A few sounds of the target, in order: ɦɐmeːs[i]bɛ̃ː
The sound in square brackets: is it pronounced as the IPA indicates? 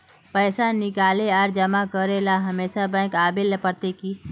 no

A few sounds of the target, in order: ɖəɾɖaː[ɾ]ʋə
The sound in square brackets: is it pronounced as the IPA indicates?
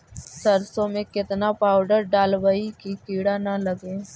no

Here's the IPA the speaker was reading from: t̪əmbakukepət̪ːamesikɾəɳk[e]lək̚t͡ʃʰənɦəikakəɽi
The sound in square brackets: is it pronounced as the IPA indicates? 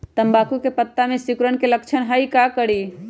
yes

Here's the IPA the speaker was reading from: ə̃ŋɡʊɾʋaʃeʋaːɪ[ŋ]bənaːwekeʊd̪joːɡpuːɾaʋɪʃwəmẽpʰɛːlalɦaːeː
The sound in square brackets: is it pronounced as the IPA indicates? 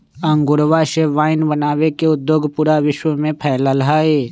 no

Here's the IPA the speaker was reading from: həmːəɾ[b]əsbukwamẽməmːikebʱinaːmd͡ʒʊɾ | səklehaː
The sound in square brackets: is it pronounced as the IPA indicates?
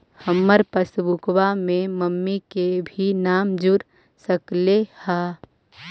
no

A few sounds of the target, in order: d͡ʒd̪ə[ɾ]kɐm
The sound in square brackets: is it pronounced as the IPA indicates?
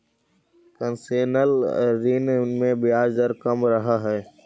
yes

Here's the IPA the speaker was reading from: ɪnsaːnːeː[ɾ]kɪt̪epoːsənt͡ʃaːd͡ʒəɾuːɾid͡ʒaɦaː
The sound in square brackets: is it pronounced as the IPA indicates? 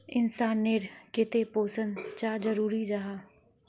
yes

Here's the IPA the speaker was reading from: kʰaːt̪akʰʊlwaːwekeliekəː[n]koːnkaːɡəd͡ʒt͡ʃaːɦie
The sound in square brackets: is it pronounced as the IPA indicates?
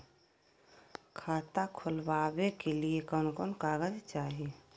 yes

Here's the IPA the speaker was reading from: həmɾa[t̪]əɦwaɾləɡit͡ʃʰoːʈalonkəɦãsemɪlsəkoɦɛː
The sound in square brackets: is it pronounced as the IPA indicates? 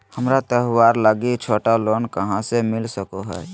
yes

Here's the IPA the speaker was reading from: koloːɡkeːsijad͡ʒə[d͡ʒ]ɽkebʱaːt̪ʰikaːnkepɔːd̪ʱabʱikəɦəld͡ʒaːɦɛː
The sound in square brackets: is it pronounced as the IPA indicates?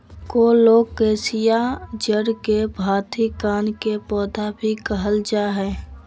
no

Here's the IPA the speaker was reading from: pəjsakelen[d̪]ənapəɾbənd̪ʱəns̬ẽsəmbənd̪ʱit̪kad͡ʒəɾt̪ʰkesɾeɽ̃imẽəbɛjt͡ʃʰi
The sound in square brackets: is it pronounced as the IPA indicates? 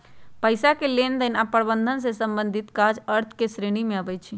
yes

